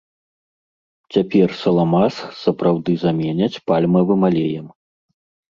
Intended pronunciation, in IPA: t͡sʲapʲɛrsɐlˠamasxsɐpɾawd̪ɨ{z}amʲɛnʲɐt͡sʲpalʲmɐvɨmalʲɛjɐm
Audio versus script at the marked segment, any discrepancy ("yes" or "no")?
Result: no